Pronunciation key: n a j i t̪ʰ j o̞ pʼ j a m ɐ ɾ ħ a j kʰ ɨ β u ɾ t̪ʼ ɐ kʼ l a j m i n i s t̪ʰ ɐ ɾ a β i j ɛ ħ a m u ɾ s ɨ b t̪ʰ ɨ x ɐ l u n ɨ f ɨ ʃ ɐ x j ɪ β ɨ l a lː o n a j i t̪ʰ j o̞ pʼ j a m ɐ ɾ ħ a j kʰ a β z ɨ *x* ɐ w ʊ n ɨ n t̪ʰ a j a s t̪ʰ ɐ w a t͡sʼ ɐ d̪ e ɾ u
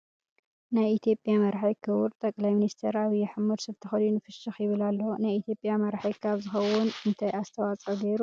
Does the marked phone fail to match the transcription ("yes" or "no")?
no